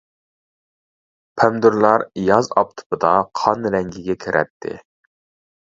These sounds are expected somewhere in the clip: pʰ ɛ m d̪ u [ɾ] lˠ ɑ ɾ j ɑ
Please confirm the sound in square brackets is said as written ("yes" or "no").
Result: yes